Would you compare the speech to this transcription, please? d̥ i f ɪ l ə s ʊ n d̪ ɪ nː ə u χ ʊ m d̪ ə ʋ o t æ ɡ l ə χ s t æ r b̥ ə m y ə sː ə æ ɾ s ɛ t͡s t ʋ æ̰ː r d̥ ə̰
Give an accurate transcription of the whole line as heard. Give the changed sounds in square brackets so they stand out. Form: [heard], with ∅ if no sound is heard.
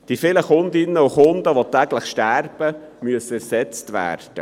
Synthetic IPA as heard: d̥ i f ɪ l ə [χ] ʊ n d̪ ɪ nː ə u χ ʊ [n] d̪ ə ʋ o t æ ɡ l ə χ [ʃ] t æ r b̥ ə m y ə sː ə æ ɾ s ɛ t͡s t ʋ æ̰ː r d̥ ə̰